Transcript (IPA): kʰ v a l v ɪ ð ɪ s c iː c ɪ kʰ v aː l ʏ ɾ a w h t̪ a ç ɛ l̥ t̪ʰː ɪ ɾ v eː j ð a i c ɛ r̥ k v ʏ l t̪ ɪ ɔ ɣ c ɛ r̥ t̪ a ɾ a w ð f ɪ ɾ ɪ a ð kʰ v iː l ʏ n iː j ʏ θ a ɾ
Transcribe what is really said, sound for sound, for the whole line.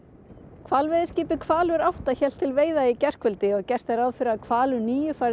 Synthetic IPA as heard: kʰ v a l v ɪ ð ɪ s c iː p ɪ kʰ v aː l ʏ ɾ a w h t̪ a ç ɛ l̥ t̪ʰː ɪ l v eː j ð a i c ɛ r̥ k v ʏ l t̪ ɪ ɔ ɣ c ɛ r̥ t̪ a ɾ a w ð f ɪ ɾ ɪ a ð kʰ v aː l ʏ n iː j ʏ f a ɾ